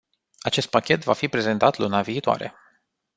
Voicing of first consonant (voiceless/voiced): voiceless